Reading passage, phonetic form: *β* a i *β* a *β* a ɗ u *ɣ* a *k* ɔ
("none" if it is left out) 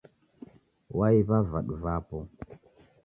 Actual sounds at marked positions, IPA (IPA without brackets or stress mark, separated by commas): w, β, v, v, p